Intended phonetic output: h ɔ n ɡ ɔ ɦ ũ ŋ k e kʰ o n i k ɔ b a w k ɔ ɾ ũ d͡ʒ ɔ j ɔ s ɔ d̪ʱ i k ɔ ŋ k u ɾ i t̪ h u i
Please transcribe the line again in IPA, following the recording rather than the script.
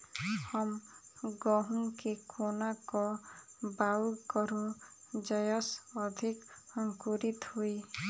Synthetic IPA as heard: h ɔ m ɡ ɔ ɦ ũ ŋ k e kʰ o n a k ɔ b a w k ɔ ɾ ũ d͡ʒ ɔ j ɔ s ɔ d̪ʱ i k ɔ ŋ k u ɾ i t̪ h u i